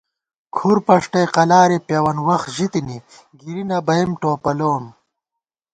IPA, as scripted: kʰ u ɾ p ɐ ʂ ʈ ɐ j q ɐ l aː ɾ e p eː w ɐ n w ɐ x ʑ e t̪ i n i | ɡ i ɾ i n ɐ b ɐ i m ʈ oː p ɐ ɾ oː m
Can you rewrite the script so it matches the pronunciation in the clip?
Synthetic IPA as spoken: kʰ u ɾ p ɐ ʂ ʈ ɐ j q ɐ l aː ɾ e p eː w ɐ n w ɐ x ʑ i t̪ i n i | ɡ i ɾ i n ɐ b ɐ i m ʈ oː p ɐ l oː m